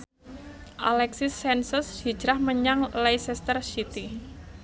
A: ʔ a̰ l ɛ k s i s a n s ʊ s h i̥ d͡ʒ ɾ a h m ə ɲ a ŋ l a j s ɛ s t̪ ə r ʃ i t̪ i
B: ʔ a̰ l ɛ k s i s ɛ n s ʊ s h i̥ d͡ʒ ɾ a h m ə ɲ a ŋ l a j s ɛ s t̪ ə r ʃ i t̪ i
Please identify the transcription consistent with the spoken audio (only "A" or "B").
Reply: B